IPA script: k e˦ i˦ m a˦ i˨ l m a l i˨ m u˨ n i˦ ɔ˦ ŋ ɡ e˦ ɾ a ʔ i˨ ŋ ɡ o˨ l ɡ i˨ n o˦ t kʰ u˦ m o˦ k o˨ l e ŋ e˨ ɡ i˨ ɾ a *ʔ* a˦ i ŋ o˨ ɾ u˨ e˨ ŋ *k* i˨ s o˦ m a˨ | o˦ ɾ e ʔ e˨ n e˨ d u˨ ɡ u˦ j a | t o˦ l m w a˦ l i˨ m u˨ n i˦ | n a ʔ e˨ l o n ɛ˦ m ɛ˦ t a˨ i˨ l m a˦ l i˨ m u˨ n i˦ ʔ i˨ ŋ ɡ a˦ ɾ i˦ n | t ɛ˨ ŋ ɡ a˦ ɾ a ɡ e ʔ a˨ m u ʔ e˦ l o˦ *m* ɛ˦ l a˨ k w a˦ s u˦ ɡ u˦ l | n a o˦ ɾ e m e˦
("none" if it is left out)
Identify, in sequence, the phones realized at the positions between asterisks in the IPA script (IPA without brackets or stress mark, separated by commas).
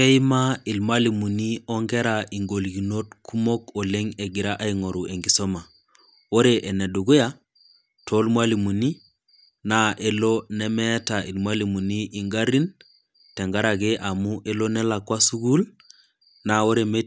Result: ʔ, ɡ, n